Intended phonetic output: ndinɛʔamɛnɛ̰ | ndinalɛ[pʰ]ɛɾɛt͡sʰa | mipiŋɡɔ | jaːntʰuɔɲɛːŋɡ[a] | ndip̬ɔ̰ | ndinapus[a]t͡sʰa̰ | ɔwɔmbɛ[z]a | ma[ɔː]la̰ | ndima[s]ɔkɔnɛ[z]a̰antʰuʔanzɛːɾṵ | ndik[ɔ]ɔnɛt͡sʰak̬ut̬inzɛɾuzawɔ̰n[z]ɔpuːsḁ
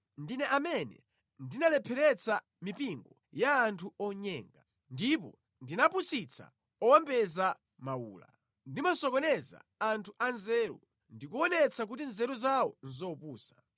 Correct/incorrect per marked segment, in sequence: correct, correct, incorrect, correct, incorrect, correct, correct, incorrect, correct

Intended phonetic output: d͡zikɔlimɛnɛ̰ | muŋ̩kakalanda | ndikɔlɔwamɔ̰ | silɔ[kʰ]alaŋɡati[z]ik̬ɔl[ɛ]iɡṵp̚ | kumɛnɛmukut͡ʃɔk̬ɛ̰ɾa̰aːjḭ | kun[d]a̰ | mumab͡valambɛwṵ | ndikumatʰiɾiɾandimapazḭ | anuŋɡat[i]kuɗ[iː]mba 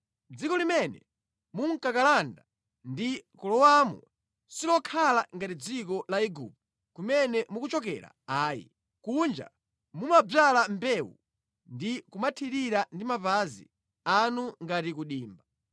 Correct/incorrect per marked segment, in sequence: correct, incorrect, incorrect, incorrect, correct, correct

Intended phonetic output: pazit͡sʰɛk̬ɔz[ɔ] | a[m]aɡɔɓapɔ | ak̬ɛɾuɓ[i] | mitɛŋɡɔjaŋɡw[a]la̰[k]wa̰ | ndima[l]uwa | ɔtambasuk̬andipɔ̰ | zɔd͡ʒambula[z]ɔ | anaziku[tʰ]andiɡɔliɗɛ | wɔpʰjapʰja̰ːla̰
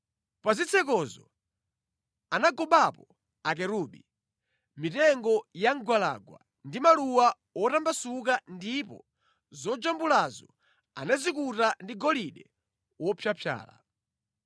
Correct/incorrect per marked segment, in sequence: correct, incorrect, correct, correct, incorrect, correct, correct, incorrect

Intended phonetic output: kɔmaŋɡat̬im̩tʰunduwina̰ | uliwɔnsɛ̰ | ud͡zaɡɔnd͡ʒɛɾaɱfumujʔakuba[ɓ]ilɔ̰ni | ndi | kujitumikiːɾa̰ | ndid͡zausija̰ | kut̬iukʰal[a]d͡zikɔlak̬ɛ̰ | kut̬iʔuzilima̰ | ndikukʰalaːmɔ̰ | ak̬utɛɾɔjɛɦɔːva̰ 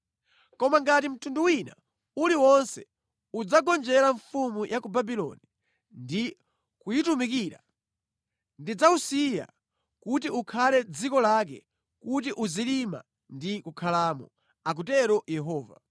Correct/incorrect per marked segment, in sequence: incorrect, incorrect

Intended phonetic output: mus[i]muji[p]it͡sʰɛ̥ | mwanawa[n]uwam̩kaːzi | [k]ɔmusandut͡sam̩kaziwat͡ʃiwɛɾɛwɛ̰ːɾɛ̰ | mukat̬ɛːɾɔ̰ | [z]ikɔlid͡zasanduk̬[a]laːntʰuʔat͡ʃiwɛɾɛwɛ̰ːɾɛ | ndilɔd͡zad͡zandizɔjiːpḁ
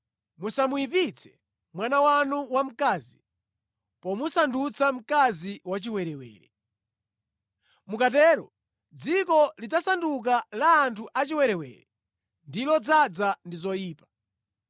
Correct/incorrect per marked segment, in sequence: incorrect, correct, correct, incorrect, incorrect, correct

